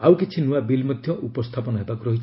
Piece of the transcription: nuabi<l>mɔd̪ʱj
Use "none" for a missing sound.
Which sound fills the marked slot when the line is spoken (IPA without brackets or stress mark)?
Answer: l